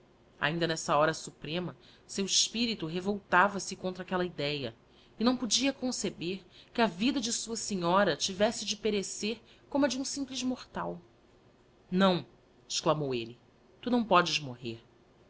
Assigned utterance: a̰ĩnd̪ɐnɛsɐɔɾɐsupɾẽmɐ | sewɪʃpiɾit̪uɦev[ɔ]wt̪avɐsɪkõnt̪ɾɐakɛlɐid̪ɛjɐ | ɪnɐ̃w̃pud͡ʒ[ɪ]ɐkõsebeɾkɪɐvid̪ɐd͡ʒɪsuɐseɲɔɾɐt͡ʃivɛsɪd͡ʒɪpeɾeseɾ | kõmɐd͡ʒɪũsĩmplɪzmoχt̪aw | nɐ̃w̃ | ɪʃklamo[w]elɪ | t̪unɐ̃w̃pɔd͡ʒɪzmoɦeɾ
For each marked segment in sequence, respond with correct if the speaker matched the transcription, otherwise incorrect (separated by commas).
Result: incorrect, incorrect, correct